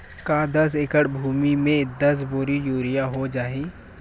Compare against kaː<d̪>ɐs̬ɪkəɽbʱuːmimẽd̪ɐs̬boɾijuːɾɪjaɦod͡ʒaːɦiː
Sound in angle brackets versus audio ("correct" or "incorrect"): correct